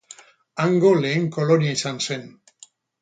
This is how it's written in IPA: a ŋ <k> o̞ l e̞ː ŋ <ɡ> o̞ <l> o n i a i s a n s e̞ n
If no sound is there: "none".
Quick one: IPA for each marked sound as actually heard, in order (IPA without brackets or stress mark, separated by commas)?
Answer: ɡ, k, l